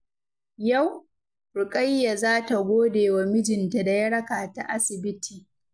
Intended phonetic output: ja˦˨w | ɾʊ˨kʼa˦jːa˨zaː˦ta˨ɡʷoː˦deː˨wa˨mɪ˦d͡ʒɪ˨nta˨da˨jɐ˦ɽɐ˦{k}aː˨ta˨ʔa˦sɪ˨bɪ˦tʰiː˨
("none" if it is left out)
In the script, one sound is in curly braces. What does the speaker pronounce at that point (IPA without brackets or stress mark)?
k